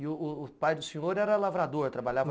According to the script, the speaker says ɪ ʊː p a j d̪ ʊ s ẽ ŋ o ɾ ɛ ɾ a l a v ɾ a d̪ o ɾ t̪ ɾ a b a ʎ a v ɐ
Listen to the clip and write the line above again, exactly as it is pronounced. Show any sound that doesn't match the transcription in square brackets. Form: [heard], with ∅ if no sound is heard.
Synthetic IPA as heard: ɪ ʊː p a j d̪ ʊ s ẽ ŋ o ɾ ɛ ɾ [ɐ] l a v ɾ a d̪ o ɾ t̪ ɾ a b a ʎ a v ɐ